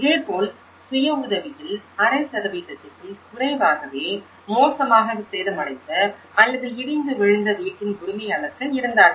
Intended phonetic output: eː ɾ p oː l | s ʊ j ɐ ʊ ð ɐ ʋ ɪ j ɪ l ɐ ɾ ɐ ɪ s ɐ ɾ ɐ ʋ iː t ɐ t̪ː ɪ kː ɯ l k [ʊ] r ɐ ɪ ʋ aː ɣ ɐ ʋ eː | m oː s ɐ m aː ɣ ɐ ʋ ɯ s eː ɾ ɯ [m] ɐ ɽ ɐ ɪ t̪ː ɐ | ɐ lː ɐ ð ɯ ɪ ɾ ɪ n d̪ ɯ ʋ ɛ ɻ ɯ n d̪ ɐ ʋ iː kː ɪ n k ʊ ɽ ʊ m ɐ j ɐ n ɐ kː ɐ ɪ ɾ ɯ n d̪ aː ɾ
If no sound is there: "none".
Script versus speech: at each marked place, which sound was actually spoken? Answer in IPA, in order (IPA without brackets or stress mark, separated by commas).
ʊ, m